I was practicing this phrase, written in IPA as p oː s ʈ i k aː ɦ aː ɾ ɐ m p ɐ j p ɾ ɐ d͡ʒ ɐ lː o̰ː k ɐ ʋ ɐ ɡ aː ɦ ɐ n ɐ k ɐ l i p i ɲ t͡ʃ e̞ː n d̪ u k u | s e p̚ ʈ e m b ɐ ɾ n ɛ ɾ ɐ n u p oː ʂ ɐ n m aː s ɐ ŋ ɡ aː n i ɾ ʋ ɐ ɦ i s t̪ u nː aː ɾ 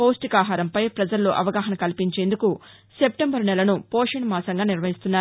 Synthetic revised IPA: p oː s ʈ i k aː ɦ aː ɾ ɐ m p ɐ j p ɾ ɐ d͡ʒ ɐ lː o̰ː ʔ ɐ ʋ ɐ ɡ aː ɦ ɐ n ɐ k ɐ l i p i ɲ t͡ʃ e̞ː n d̪ u k u | s e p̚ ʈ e m b ɐ ɾ n ɛ l ɐ n u p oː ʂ ɐ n m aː s ɐ ŋ ɡ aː n i ɾ ʋ ɐ ɦ i s t̪ u nː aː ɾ

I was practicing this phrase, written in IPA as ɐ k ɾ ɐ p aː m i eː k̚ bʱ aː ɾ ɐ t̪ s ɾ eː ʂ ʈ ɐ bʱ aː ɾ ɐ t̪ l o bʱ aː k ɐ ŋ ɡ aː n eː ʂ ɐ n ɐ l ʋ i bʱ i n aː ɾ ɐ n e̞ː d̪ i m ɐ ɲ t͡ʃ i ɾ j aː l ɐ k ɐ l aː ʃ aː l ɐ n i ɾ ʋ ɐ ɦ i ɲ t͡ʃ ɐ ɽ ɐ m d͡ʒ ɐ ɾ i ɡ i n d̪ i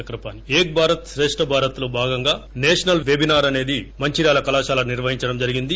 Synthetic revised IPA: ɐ k ɾ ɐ p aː n i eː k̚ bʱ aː ɾ ɐ t̪ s ɾ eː ʂ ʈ ɐ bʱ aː ɾ ɐ t̪ l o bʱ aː ɡ ɐ ŋ ɡ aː n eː ʂ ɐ n ɐ l ʋ e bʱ i n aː ɾ ɐ n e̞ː d̪ i m ɐ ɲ t͡ʃ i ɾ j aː l ɐ k ɐ l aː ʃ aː l ɐ n i ɾ ʋ ɐ ɦ i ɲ t͡ʃ ɐ ɽ ɐ m d͡ʒ ɐ ɾ i ɡ i n d̪ i

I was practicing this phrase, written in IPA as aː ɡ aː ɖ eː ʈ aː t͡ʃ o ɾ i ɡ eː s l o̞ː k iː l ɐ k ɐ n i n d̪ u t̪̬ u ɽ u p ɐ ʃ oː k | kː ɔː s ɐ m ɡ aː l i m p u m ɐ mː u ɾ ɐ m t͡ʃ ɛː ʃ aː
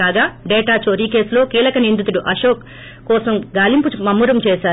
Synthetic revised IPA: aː ɡ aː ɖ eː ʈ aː t͡ʃ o ɾ i k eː s l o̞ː k iː l ɐ k ɐ n i n d̪ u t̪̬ u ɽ u ʔ ɐ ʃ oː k | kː ɔː s ɐ m ɡ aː l i m p u m ɐ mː u ɾ ɐ m t͡ʃ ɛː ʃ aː

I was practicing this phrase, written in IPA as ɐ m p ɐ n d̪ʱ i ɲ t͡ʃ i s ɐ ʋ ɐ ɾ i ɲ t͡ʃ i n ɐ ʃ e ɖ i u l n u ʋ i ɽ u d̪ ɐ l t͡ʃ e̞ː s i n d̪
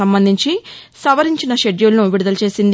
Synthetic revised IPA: ɐ m b ɐ n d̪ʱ i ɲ t͡ʃ i s ɐ ʋ ɐ ɾ i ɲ t͡ʃ i n ɐ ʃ e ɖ j u l n u ʋ i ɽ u d̪ ɐ l t͡ʃ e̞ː s i n d̪

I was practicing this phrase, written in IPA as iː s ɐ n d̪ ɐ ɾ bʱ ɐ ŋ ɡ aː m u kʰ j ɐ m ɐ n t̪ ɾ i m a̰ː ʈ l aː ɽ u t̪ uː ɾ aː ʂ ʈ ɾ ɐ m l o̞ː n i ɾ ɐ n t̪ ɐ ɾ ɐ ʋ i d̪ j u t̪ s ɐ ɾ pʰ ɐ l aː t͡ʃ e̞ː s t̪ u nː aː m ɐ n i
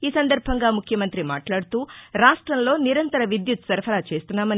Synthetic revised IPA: iː s ɐ n d̪ ɐ ɾ bʱ ɐ ŋ ɡ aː m u kʰ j ɐ m ɐ n t̪ ɾ i m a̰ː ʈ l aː ɽ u t̪ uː ɾ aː ʂ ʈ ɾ ɐ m l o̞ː n i ɾ ɐ n t̪ ɐ ɾ ɐ ʋ i d̪ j u t̪ s ɐ ɾ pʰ ɐ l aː t͡ʃ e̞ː s t̪ u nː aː m ɐ n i

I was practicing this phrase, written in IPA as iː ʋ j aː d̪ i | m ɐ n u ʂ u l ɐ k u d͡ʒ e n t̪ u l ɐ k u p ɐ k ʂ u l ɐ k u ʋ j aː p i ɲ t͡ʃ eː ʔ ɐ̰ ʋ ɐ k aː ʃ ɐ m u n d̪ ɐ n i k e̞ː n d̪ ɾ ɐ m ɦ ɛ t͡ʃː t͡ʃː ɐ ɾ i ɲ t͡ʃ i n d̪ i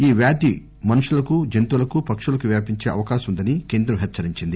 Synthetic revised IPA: iː ʋ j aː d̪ i | m ɐ n u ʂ u l ɐ k u d͡ʒ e n t̪ u l ɐ k u p ɐ k ʂ u l ɐ k u ʋ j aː p i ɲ t͡ʃ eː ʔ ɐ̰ ʋ ɐ k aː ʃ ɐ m u n d̪ ɐ n i k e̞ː n d̪ ɾ ɐ m ɦ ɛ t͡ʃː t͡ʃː ɐ ɾ i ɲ t͡ʃ i n d̪ i

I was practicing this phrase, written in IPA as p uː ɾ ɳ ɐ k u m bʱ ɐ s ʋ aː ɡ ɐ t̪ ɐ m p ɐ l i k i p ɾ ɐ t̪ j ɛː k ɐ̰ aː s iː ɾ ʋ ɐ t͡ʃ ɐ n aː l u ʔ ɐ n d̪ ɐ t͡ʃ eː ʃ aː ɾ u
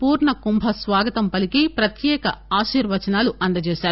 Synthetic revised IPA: p uː ɾ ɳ ɐ k u m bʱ ɐ s ʋ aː ɡ ɐ t̪ ɐ m p ɐ l i k i p ɾ ɐ t̪ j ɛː k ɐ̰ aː ʃ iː ɾ ʋ ɐ t͡ʃ ɐ n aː l u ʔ ɐ n d̪ ɐ t͡ʃ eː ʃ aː ɾ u

